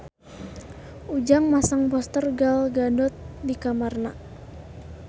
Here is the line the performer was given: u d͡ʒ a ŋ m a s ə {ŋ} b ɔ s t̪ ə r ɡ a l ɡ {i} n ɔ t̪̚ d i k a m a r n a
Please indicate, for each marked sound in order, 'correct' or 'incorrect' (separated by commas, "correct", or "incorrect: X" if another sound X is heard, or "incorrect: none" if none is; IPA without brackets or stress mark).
correct, incorrect: a